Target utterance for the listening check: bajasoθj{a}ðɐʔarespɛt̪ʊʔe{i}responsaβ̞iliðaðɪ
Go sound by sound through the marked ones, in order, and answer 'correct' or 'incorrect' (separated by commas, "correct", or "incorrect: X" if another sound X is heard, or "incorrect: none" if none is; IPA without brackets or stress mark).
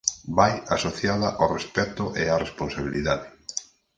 correct, incorrect: a